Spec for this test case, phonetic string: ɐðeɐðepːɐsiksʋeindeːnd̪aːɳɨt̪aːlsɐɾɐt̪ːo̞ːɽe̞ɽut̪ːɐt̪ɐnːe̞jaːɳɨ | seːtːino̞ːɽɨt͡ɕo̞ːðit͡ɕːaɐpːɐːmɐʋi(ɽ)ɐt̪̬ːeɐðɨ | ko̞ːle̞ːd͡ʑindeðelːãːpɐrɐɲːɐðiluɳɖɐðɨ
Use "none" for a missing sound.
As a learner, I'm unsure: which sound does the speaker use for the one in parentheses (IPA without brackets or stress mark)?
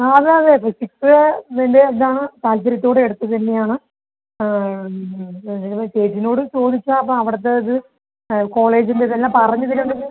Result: ɽ